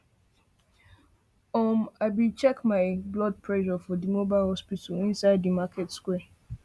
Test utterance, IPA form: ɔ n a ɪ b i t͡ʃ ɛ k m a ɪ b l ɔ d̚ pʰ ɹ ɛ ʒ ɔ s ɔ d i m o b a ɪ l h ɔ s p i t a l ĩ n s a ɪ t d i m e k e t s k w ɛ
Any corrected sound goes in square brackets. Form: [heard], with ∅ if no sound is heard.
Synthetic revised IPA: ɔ [m] a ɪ b i t͡ʃ ɛ k m a ɪ b l ɔ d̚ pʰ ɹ ɛ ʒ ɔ [f] ɔ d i m o b a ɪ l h ɔ s p i t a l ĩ n s a ɪ [d] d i m [a] k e t s k w ɛ

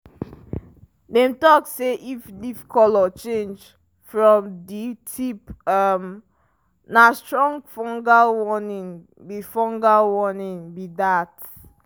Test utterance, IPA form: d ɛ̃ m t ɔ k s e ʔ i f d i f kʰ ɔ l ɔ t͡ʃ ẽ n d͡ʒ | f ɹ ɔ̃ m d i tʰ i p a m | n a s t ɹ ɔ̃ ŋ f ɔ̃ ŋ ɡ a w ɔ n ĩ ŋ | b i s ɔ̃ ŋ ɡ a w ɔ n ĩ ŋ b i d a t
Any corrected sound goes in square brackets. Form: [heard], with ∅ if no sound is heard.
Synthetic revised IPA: d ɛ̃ m t ɔ k s e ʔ i f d i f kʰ ɔ l ɔ t͡ʃ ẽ n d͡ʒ | f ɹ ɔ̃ m d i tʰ i p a m | n a s t ɹ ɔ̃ ŋ f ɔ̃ ŋ ɡ a w ɔ n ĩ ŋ | b i [f] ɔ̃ ŋ ɡ a w ɔ n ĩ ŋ b i d a t

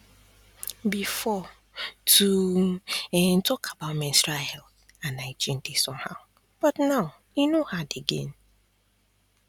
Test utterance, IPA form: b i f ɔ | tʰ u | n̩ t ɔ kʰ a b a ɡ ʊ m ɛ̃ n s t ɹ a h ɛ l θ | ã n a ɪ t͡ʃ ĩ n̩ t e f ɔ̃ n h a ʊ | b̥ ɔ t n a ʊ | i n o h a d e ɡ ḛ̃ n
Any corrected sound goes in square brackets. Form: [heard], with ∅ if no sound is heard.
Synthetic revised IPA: b i f ɔ | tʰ u | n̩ t ɔ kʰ a b a [∅] ʊ m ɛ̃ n s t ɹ a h ɛ l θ | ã n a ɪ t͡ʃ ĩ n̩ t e [s] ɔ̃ [m] h a ʊ | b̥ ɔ t n a ʊ | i n o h a d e ɡ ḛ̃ n

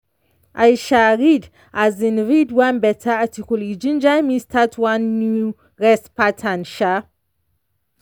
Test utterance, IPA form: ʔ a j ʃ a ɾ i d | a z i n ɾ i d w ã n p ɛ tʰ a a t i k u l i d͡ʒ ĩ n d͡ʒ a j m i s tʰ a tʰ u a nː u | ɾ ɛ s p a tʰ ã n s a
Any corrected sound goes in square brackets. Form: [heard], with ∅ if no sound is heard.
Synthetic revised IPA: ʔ a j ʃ a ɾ i d | a z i n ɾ i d w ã n [b] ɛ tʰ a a t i k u l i d͡ʒ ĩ n d͡ʒ a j m i s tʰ a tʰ [w] a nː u | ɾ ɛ s p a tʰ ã n [ʃ] a

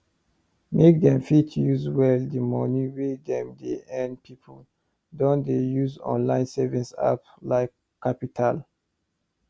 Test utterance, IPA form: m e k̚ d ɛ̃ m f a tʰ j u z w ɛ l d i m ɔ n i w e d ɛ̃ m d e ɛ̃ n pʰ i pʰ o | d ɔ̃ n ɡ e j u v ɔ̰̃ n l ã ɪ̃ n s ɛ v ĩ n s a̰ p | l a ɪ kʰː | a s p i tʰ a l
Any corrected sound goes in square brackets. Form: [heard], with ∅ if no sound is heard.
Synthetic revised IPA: m e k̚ d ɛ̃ m f [i] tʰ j u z w ɛ l d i m ɔ n i w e d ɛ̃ m d e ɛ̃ n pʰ i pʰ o | d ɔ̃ n [d] e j u [z] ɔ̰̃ n l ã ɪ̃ n s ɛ v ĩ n s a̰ p | l a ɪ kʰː | a [∅] p i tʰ a l

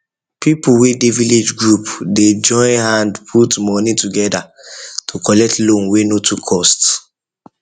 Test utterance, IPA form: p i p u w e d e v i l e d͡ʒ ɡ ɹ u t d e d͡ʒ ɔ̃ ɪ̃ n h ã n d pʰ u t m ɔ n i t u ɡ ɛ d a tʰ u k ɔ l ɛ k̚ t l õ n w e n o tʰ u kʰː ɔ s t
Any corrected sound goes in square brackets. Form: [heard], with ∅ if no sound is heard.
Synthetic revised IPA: p i p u w e d e v i l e d͡ʒ ɡ ɹ u [p] d e d͡ʒ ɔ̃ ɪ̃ n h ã n d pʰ u t m ɔ n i t u ɡ ɛ d a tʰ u k ɔ l ɛ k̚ t l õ n w e n o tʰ u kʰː ɔ s t

